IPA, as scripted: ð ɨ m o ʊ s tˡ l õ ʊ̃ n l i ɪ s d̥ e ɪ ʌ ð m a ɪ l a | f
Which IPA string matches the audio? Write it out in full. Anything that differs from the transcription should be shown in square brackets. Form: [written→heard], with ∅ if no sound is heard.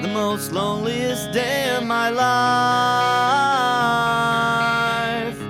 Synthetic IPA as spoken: ð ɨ m o ʊ s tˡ l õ ʊ̃ n l i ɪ s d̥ e ɪ ʌ [ð→v] m a ɪ l a | f